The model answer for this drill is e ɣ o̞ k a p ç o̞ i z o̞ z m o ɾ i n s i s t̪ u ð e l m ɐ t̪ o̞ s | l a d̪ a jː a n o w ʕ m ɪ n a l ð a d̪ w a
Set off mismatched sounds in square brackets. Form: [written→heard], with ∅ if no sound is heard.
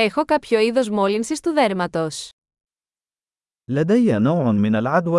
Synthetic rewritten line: e [ɣ→x] o̞ k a p ç o̞ i [z→ð] o̞ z m o [ɾ→l] i n s i s t̪ u ð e [l→ɾ] m ɐ t̪ o̞ s | l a d̪ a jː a n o w ʕ m ɪ n a l [ð→ʕ] a d̪ w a